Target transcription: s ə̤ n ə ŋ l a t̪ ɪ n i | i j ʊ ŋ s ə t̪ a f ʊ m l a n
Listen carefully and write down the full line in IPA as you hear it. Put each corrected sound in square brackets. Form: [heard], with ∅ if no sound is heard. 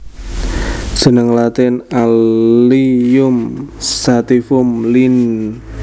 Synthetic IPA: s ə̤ n ə ŋ l a t̪ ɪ n [a] | i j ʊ [m] s [a] t̪ [i] f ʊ m l [i] n